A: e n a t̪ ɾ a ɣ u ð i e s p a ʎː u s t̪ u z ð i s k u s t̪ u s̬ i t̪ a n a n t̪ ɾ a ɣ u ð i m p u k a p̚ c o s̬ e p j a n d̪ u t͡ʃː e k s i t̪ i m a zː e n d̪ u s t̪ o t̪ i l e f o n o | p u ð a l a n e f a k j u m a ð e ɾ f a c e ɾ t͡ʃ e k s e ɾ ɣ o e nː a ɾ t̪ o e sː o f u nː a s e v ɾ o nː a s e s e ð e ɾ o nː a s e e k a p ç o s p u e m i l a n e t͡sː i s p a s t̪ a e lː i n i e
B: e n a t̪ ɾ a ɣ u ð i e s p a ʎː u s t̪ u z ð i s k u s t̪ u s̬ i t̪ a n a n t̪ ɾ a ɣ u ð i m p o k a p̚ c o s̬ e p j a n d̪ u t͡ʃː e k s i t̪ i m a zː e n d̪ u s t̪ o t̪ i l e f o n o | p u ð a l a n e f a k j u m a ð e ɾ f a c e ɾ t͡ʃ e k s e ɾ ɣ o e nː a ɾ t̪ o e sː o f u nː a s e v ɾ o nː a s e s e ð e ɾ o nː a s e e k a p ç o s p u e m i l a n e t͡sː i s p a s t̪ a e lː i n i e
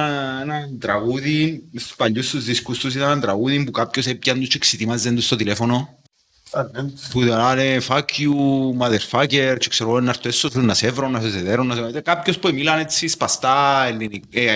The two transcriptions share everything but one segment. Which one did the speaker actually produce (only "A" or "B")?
A